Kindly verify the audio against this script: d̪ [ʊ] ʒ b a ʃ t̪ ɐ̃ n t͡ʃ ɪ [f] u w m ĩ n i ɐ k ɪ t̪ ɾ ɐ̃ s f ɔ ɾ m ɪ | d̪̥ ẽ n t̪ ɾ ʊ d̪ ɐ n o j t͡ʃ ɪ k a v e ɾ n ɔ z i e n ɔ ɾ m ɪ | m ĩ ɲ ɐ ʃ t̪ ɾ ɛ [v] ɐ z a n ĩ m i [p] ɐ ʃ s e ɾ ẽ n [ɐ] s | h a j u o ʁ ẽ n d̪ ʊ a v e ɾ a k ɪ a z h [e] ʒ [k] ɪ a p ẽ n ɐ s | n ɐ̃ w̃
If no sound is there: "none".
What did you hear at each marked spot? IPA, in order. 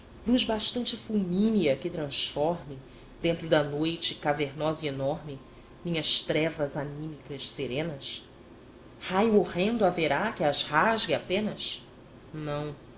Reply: u, f, v, k, ɐ, a, ɡ

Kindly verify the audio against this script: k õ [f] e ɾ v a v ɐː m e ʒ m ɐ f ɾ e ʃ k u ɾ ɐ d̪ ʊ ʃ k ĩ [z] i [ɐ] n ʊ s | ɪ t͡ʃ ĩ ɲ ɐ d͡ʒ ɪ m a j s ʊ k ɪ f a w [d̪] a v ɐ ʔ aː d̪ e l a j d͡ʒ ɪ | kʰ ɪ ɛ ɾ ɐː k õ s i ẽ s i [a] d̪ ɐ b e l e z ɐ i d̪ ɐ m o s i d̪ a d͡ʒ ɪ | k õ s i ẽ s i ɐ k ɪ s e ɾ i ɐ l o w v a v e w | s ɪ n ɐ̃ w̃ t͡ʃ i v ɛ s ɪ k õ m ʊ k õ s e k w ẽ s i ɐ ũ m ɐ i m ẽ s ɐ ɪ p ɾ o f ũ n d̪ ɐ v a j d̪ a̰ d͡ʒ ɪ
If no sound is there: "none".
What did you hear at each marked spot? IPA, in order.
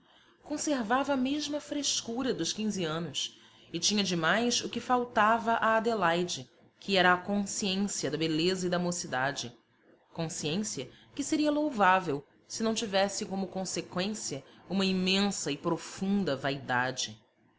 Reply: s, z, ɐ̃, t̪, ɐ

